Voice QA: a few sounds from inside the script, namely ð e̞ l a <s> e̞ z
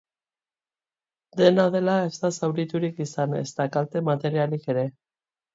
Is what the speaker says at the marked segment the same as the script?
no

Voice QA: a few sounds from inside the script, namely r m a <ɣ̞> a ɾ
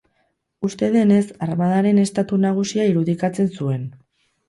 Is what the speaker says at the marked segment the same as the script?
no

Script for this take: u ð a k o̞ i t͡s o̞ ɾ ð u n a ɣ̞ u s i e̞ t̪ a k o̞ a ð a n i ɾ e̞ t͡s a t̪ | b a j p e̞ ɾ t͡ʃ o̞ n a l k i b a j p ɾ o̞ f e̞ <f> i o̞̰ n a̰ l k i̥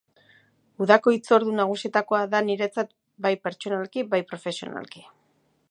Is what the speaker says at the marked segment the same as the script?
no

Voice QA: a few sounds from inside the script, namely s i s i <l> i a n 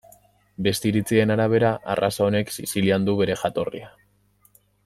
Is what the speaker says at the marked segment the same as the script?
yes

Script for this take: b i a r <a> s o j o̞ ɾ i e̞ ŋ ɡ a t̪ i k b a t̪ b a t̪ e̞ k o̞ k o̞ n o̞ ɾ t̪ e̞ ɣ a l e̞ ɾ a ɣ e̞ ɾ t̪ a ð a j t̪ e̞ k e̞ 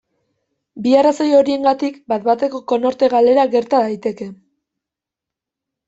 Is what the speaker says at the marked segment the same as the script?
yes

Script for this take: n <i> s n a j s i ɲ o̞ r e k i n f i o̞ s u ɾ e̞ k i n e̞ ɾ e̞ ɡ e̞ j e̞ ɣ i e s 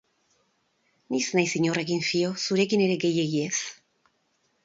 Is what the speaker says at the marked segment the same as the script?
yes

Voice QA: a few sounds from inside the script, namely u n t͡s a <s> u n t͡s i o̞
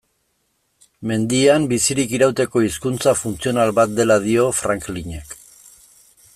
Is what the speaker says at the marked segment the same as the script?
no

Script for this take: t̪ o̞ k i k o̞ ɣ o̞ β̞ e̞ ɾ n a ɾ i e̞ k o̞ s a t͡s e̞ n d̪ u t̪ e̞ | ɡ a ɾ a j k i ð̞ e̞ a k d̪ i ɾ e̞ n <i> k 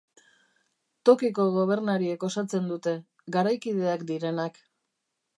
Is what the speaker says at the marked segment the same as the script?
no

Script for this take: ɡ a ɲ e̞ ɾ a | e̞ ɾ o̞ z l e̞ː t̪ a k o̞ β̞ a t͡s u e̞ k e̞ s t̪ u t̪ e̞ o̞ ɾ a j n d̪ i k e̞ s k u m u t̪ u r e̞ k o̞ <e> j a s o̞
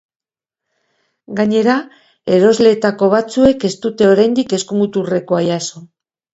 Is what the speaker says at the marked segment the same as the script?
no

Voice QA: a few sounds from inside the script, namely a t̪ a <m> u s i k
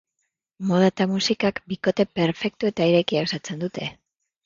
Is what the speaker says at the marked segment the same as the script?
yes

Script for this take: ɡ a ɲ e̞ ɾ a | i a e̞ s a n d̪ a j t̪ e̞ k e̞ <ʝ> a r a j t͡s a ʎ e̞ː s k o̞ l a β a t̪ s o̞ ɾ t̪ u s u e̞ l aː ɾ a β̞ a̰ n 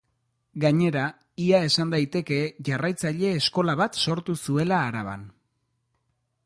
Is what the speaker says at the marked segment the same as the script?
yes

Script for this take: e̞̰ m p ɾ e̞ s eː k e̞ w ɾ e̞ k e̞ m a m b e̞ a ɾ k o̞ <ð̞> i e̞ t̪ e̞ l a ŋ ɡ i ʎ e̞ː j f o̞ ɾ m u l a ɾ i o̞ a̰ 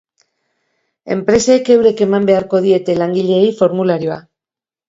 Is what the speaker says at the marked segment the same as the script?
yes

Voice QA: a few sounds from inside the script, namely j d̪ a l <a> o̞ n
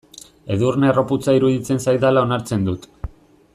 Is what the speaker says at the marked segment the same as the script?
yes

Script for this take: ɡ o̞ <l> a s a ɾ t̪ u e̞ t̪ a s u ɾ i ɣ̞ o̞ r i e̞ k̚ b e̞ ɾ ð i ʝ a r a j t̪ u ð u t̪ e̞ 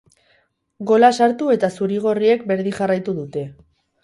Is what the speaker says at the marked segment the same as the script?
yes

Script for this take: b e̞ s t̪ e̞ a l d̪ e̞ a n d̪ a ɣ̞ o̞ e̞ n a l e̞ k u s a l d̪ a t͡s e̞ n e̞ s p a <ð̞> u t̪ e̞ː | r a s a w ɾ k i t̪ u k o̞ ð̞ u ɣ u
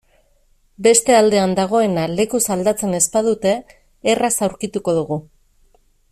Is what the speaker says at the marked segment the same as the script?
yes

